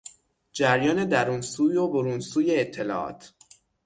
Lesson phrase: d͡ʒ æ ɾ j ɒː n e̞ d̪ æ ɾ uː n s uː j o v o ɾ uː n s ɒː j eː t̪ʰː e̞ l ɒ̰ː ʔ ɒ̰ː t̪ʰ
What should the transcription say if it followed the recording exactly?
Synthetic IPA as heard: d͡ʒ æ ɾ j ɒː n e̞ d̪ æ ɾ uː n s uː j o b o ɾ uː n s uː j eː t̪ʰː e̞ l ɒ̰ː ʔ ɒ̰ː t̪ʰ